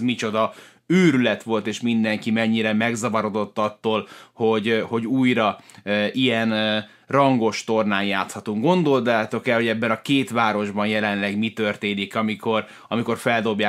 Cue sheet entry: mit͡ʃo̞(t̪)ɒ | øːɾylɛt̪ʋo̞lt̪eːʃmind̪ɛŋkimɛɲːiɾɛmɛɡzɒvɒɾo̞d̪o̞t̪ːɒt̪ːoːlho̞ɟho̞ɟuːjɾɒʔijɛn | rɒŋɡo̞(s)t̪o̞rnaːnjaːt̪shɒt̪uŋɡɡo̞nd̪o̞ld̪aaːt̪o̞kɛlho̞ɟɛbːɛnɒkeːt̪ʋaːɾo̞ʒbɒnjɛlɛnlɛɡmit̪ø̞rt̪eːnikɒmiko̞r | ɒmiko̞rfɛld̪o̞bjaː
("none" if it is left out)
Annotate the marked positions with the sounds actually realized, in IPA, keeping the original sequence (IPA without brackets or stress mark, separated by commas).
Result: d̪, ʃ